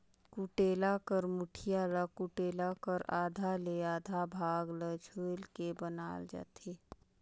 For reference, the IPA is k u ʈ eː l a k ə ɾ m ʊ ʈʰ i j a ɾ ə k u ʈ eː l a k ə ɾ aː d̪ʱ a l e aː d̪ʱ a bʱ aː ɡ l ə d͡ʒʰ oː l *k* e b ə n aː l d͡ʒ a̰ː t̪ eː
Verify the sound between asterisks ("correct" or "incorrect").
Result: correct